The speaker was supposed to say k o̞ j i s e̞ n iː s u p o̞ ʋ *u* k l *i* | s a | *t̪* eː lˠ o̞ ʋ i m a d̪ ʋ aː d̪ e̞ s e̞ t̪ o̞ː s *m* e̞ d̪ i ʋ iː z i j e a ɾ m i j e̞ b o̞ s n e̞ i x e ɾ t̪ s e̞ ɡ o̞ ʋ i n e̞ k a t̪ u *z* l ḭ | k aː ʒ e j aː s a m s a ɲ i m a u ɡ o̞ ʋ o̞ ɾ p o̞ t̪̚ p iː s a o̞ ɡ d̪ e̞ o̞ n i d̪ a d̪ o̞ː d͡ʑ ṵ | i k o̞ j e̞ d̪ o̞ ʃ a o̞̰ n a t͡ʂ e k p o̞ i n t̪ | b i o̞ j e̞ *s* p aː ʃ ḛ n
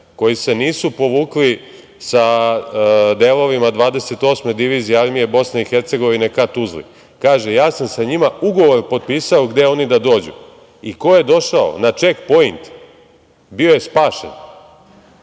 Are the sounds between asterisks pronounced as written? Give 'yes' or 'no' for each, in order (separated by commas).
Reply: no, yes, no, yes, yes, yes